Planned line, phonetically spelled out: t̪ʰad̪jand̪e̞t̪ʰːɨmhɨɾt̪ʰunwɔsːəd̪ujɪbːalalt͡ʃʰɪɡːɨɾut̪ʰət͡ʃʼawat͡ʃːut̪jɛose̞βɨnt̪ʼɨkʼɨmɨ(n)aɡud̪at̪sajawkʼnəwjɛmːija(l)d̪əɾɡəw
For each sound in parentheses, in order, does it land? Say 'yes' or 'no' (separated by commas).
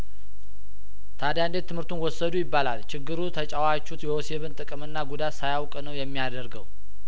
no, no